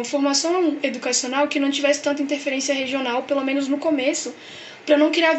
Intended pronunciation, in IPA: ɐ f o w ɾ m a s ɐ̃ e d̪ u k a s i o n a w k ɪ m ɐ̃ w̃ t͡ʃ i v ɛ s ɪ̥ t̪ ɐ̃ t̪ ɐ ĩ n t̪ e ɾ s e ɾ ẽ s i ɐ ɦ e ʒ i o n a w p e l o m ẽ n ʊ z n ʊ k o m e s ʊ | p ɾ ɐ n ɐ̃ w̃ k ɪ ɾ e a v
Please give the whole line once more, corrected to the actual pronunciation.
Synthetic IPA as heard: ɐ f o ɾ m a s ɐ̃ e d̪ u k a s i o n a w k ɪ n ɐ̃ w̃ t͡ʃ i v ɛ s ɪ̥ t̪ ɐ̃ t̪ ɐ ĩ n t̪ e ɾ f e ɾ ẽ s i ɐ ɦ e ʒ i o n a w p e l o m ẽ n ʊ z n ʊ k o m e s ʊ | p ɾ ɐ n ɐ̃ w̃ k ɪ ɾ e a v